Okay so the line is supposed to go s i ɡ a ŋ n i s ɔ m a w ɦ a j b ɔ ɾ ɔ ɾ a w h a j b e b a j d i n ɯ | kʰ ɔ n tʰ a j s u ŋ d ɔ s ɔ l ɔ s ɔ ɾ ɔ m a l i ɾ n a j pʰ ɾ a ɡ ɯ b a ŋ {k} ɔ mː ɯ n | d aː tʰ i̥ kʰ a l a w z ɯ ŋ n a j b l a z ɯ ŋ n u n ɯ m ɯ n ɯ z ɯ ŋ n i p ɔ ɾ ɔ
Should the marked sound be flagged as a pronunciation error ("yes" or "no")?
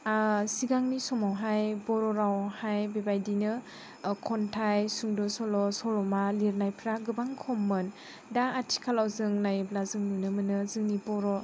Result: yes